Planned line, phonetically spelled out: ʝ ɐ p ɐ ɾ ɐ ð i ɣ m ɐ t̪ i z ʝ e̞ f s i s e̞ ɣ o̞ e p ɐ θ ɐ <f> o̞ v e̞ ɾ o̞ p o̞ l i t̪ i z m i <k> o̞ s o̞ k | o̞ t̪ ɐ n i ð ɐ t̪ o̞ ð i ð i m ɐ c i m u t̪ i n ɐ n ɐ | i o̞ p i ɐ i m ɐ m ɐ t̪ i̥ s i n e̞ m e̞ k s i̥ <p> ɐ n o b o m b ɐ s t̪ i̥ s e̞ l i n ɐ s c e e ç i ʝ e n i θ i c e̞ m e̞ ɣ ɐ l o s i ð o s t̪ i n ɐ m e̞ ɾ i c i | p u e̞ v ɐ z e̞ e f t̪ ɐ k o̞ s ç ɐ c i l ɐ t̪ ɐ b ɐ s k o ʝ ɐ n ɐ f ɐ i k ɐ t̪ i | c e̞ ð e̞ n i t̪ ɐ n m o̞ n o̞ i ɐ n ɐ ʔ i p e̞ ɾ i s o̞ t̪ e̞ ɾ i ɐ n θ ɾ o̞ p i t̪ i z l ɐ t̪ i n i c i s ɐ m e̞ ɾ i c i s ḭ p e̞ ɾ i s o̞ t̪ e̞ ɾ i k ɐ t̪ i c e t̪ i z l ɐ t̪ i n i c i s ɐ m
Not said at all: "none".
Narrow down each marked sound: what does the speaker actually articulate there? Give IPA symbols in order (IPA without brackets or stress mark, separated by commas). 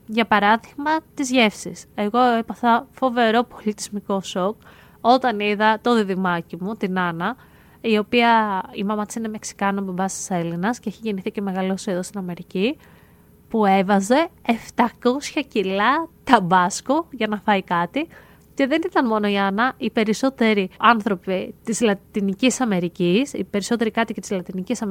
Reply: f, k, k